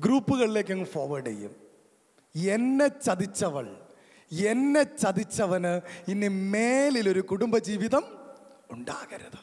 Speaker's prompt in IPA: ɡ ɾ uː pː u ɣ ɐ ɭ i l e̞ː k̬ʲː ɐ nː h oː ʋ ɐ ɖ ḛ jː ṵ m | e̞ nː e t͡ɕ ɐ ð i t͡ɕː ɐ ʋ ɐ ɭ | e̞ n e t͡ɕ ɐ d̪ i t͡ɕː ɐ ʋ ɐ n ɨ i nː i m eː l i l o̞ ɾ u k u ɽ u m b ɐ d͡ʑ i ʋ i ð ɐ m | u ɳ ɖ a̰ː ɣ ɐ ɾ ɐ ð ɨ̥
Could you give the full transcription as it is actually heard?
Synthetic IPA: ɡ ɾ uː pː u ɣ ɐ ɭ i l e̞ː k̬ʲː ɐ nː f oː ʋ ɐ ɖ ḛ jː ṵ m | e̞ nː e t͡ɕ ɐ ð i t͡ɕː ɐ ʋ ɐ ɭ | e̞ nː e t͡ɕ ɐ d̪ i t͡ɕː ɐ ʋ ɐ n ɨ i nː i m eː l i l o̞ ɾ u k u ɽ u m b ɐ d͡ʑ iː ʋ i ð ɐ m | u ɳ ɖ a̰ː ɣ ɐ ɾ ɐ ð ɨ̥